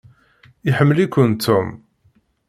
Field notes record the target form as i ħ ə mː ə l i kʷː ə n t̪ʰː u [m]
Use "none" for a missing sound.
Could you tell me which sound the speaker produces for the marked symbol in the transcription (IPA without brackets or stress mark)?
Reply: m